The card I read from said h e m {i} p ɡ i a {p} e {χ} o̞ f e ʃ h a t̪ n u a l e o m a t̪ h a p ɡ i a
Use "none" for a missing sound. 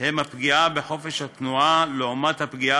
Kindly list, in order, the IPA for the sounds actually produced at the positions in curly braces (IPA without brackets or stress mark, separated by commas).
a, b, ħ